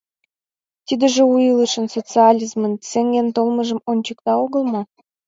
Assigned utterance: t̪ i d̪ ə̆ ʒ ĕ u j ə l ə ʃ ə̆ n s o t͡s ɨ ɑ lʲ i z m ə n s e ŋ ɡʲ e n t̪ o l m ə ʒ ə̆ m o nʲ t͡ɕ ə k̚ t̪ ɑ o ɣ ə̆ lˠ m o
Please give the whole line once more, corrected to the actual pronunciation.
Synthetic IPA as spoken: t̪ i d̪ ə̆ ʒ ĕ u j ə l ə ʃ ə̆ n s o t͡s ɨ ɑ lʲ i z m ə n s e ŋ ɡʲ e n t̪ o l m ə ʒ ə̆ m o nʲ t͡ɕ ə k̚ t̪ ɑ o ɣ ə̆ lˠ m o